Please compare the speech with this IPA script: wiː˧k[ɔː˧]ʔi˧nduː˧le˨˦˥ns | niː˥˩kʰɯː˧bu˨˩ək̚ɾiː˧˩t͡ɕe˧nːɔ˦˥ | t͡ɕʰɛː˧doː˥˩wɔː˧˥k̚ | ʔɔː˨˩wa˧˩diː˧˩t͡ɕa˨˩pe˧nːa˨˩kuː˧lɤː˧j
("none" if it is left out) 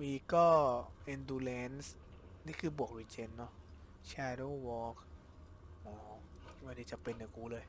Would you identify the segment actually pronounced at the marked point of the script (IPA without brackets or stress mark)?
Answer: ɔː˥˩